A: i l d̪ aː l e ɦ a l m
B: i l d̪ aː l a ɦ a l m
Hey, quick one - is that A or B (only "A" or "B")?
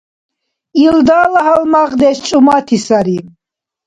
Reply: B